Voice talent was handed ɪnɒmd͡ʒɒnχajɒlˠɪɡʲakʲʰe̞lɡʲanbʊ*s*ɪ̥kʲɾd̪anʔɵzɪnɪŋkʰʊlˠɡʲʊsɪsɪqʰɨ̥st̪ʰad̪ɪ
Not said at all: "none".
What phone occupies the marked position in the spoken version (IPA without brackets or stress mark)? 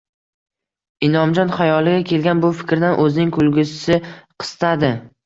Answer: f